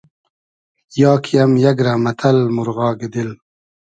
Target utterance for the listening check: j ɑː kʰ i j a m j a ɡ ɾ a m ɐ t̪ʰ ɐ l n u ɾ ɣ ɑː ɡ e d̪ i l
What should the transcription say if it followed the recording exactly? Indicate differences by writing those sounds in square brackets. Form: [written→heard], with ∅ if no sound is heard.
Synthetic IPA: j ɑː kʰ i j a m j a ɡ ɾ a m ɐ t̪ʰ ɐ l [n→m] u ɾ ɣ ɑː ɡ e d̪ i l